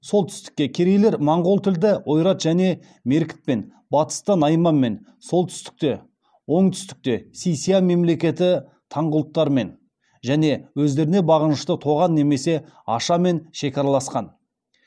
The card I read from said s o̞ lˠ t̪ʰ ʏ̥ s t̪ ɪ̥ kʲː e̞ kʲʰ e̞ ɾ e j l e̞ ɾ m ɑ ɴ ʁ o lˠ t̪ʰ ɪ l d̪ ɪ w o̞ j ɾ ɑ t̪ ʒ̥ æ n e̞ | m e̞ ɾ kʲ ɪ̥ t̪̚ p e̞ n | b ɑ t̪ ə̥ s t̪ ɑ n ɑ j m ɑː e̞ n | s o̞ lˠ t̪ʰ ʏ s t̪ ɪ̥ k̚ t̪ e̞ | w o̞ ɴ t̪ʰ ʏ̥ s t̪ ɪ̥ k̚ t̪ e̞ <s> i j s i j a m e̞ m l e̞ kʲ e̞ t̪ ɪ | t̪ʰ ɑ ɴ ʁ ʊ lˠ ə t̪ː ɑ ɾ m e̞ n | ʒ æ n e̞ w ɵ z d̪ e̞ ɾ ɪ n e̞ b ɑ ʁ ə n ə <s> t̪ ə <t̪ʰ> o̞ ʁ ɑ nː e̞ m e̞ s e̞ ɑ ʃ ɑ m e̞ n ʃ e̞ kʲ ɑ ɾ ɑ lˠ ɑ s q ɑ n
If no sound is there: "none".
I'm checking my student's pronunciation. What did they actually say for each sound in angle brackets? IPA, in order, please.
s, ʃ, t̪ʰ

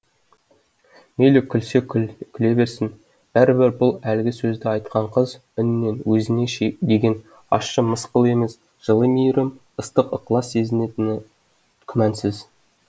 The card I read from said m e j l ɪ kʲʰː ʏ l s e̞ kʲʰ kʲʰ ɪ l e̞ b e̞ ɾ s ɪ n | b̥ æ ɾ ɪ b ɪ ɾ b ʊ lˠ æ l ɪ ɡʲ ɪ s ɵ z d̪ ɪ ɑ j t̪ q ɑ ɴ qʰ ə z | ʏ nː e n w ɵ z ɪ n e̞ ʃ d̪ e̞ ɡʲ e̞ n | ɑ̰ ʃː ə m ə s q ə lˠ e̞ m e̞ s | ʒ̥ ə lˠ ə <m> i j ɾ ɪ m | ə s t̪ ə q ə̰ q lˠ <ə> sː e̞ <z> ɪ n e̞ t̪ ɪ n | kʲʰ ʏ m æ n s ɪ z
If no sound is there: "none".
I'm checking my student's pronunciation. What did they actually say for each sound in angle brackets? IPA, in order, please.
m, ɑ, z

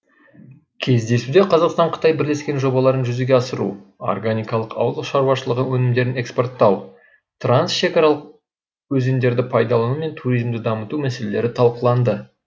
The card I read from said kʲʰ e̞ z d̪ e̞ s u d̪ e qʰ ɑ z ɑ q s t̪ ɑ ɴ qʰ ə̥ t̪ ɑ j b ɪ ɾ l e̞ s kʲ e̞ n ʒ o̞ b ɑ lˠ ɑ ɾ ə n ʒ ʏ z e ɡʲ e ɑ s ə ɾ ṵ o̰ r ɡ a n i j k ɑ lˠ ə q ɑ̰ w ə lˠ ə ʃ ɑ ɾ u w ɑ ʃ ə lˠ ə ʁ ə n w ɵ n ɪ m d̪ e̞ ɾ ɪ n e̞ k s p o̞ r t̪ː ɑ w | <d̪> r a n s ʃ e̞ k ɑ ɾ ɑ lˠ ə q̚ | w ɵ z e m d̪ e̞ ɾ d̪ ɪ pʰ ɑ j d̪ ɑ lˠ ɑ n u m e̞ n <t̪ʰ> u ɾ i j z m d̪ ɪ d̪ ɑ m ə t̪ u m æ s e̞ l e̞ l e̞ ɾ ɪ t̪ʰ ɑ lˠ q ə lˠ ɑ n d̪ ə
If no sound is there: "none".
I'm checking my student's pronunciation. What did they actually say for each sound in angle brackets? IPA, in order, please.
t̪, t̪ʰ

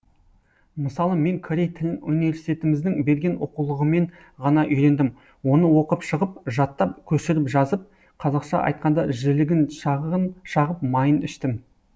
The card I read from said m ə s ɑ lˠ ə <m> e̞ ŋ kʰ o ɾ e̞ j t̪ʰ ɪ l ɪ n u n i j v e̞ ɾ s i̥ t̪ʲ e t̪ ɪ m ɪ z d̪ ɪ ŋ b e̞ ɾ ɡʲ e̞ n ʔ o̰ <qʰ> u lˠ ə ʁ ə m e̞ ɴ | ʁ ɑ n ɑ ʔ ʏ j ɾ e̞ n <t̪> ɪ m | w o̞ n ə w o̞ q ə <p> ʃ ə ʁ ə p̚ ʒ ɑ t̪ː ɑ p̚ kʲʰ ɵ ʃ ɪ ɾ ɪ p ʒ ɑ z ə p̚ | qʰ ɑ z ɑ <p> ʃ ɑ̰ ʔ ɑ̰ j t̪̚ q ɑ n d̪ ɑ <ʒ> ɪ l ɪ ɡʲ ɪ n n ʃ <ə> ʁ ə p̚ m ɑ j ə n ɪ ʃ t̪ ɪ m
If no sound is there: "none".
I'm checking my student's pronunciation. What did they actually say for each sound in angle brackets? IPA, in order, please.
m, q, d̪, p, q, ʒ, ɑ

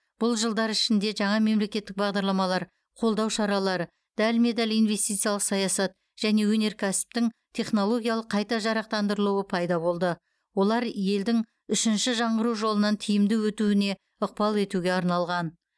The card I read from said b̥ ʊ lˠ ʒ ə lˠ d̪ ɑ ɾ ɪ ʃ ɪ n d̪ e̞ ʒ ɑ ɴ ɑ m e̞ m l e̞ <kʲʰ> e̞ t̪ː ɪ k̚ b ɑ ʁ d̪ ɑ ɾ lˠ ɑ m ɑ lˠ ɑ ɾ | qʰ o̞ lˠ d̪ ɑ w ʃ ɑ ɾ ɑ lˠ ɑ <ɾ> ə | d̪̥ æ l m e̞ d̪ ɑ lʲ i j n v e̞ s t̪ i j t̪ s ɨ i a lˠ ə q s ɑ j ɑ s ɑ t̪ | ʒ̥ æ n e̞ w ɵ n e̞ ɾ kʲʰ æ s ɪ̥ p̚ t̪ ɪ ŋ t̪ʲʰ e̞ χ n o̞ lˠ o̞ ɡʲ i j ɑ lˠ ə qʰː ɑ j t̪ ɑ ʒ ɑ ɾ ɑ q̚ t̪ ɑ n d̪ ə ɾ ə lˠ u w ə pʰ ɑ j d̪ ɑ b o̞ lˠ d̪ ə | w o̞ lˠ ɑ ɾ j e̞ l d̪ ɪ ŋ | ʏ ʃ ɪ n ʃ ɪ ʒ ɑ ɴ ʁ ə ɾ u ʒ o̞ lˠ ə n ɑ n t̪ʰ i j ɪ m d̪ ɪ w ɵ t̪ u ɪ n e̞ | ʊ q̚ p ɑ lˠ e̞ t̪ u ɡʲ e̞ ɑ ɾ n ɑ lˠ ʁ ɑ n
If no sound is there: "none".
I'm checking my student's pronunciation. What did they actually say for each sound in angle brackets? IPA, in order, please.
kʲ, ɾ

